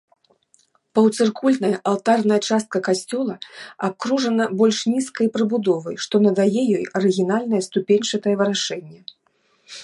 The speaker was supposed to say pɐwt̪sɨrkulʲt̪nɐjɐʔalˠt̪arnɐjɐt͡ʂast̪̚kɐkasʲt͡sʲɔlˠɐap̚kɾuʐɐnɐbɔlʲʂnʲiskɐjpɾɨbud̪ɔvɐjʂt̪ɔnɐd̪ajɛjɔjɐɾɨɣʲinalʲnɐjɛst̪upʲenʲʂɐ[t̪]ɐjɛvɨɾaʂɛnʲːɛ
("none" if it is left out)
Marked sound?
t̪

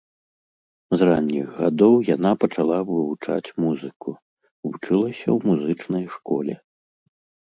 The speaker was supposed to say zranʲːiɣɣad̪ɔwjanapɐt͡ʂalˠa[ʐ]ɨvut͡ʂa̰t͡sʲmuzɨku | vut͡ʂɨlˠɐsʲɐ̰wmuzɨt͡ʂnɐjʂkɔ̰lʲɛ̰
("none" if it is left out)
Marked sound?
v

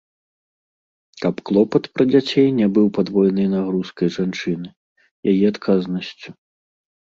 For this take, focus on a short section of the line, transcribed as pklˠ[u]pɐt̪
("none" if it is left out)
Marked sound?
ɔ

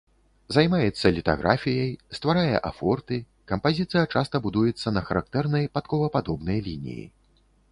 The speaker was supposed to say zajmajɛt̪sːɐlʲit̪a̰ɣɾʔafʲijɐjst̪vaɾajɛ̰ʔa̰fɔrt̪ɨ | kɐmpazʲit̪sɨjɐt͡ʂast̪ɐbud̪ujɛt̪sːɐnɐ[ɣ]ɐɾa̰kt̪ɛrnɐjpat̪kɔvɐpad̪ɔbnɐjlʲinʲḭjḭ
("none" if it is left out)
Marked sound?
x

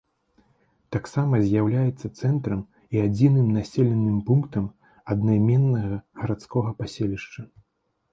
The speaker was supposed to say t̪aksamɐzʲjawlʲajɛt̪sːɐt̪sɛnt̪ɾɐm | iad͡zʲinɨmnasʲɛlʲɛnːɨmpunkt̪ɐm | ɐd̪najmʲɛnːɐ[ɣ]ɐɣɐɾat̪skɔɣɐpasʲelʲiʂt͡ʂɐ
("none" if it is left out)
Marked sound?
ɣ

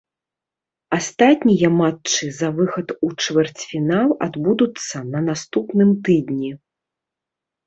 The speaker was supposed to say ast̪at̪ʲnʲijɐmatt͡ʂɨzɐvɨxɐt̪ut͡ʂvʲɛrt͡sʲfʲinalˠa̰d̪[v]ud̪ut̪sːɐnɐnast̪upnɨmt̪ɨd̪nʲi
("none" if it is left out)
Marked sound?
b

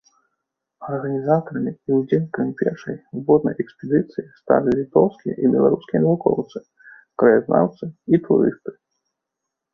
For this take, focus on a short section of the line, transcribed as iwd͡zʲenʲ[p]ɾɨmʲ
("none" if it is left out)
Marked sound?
k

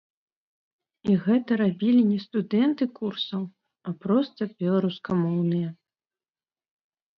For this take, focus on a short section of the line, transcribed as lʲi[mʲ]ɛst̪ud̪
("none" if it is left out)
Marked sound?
nʲ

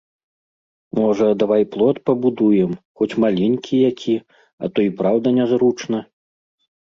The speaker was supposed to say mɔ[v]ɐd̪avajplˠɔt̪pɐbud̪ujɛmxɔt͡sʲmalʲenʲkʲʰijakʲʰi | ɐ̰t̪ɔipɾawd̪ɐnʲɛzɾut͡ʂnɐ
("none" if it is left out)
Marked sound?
ʐ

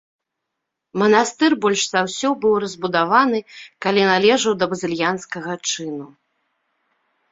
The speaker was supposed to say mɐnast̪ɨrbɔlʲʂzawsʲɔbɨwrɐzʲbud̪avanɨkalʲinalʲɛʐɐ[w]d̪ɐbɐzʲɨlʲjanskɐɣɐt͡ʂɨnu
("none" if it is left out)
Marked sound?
w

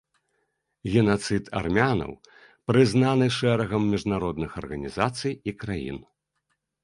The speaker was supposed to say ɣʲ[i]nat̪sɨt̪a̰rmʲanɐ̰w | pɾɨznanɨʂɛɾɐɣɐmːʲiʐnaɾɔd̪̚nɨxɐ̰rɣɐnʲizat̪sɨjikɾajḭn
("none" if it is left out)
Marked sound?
ɛ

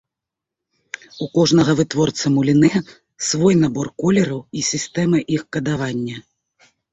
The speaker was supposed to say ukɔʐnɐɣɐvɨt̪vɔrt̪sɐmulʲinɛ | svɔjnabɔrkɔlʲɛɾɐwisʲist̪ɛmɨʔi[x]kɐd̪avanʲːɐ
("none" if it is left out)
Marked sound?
x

